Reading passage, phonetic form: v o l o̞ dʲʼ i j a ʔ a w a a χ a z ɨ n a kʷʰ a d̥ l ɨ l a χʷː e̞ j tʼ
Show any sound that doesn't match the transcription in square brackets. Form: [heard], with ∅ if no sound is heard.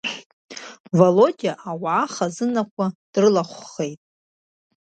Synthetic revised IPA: v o l o̞ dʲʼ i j a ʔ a w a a χ a z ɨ n a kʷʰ a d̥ [r] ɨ l a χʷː e̞ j tʼ